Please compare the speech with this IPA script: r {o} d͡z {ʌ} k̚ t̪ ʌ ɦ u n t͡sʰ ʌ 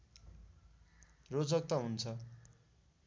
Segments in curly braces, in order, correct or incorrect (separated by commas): correct, correct